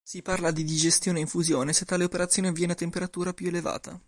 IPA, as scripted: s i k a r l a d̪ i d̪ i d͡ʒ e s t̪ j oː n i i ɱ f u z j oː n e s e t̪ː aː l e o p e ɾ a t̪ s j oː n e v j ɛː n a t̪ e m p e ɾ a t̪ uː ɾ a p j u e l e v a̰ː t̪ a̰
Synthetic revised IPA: s i p a r l a d̪ i d̪ i d͡ʒ e s t̪ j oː n e i ɱ f u z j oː n e s e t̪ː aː l e o p e ɾ a t̪ s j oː n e v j ɛː n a t̪ e m p e ɾ a t̪ uː ɾ a p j u e l e v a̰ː t̪ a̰